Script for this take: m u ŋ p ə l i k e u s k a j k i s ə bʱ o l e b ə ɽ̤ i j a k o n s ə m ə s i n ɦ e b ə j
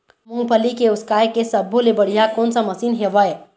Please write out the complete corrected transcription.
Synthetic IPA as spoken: m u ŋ p ə l i k e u s k a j k e s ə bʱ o l e b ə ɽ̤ i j a k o n s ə m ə s i n ɦ e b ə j